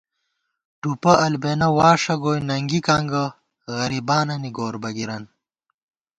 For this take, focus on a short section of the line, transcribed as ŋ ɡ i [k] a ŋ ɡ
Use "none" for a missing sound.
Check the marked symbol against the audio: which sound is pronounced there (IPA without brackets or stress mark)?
k